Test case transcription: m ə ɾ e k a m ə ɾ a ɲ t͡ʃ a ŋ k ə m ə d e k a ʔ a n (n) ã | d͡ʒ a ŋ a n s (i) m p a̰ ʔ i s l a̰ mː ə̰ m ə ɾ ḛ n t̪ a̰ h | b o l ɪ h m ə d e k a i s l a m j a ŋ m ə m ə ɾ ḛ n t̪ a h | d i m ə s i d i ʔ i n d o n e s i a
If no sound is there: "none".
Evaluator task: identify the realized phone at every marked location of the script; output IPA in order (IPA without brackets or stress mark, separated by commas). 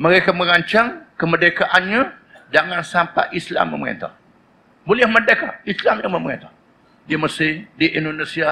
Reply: ɲ, a